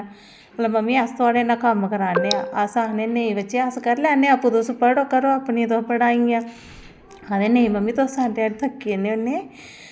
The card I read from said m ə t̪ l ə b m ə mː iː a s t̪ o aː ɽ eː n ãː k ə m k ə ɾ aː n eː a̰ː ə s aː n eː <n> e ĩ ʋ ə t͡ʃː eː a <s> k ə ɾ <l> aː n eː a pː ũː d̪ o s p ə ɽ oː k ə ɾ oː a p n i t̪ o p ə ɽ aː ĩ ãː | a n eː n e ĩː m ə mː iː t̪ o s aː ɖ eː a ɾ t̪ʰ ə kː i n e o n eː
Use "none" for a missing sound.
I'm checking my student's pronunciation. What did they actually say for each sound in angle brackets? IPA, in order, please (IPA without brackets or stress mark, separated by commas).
n, s, l